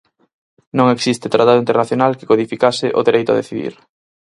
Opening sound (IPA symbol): n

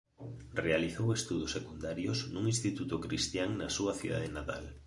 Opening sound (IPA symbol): r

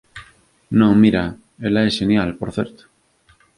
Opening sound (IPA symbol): n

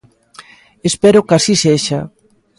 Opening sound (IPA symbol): e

